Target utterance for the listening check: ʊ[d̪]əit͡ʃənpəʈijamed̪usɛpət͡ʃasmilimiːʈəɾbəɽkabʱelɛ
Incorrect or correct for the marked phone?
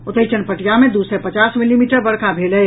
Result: incorrect: t̪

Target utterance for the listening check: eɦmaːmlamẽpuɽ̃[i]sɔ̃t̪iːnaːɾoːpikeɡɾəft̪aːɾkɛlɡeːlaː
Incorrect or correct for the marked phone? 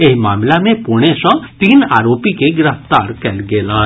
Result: incorrect: e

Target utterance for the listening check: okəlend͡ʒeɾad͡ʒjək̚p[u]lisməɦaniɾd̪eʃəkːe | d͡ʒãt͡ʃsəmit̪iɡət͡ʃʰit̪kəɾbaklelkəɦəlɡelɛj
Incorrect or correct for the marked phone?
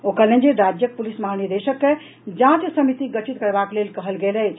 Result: correct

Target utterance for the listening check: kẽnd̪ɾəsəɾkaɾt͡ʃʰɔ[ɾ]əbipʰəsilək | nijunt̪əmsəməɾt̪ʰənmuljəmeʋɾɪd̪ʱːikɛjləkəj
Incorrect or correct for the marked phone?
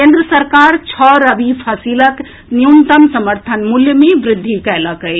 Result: correct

